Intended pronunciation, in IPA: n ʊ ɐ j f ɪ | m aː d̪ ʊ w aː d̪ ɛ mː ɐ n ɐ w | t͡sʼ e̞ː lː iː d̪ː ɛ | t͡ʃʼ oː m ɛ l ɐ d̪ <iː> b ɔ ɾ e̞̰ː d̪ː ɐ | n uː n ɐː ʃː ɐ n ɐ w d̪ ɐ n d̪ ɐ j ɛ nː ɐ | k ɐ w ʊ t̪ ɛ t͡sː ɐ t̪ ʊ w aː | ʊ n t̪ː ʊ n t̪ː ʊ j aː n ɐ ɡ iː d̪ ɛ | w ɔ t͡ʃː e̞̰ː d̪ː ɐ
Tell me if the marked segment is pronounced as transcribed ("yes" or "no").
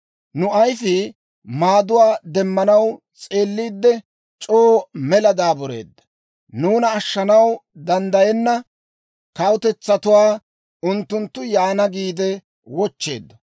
no